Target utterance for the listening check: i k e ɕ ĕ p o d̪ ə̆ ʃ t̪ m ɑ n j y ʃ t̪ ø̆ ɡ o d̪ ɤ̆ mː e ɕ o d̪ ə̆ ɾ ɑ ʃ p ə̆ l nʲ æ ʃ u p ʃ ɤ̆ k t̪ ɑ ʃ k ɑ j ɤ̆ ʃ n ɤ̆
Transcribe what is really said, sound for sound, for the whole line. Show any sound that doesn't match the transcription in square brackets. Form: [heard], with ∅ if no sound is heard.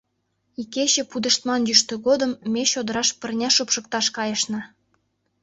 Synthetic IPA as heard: i k e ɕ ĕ p [u] d̪ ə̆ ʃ t̪ m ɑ n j y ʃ t̪ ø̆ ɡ o d̪ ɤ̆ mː e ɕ o d̪ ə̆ ɾ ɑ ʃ p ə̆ [r] nʲ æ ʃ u p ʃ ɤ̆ k t̪ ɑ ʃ k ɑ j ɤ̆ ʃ n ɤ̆